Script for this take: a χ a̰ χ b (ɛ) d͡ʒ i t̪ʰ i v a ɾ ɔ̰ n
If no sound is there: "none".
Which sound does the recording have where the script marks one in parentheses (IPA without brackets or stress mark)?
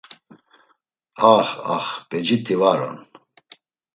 ɛ